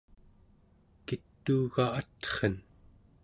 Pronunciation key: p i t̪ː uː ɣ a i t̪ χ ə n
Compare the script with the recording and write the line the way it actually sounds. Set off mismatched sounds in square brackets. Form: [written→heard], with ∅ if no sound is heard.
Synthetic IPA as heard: [p→k] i t̪ː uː ɣ a [i→a] t̪ χ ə n

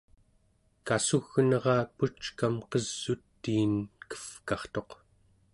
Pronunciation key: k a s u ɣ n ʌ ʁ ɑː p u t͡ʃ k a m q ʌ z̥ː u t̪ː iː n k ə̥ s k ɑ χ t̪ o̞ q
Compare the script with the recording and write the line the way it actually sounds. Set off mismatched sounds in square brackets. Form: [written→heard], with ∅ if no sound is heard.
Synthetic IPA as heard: k a s u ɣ n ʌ ʁ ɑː p u t͡ʃ k a m q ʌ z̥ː u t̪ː iː n k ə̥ [s→f] k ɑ χ t̪ o̞ q

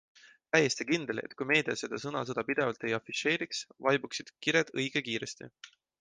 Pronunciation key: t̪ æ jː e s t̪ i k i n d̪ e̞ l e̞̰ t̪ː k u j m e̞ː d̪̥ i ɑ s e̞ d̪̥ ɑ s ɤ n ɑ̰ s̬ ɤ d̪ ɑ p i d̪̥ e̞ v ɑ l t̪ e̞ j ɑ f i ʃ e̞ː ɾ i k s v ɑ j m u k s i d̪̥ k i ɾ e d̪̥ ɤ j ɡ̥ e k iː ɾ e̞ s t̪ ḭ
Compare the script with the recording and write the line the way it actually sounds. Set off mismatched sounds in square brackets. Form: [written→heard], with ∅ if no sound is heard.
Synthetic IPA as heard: t̪ æ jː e s t̪ i k i n d̪ e̞ l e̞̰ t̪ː k u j m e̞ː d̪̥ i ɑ s e̞ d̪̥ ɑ s ɤ n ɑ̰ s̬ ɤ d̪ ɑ p i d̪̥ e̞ v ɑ l t̪ e̞ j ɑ f i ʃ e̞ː ɾ i k s v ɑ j [m→b] u k s i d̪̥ k i ɾ e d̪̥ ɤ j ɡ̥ e k iː ɾ e̞ s t̪ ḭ

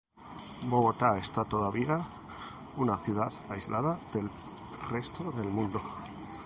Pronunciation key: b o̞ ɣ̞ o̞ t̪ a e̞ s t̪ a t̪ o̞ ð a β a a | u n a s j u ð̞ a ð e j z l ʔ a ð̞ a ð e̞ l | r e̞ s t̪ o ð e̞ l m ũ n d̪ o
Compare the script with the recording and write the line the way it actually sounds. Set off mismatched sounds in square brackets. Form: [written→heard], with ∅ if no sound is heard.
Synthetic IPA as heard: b o̞ ɣ̞ o̞ t̪ a e̞ s t̪ a t̪ o̞ ð a β [a→i] a | u n a [s→θ] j u ð̞ a ð [e→a] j z l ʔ a ð̞ a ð e̞ l | r e̞ s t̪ o ð e̞ l m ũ n d̪ o

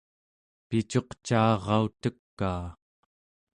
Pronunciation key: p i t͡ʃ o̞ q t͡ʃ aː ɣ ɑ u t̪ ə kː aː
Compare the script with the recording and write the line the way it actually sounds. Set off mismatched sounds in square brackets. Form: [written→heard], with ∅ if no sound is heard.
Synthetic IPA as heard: p i t͡ʃ o̞ q t͡ʃ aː [ɣ→ʁ] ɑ u t̪ ə kː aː

